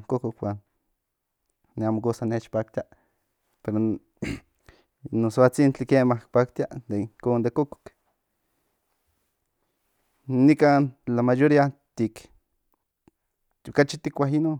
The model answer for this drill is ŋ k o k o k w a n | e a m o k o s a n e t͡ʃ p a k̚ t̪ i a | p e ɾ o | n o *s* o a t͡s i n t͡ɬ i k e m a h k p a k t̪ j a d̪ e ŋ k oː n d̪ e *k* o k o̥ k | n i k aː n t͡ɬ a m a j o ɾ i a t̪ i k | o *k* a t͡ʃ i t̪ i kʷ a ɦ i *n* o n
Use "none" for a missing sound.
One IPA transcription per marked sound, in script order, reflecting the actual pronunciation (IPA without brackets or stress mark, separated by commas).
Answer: s, k, k, n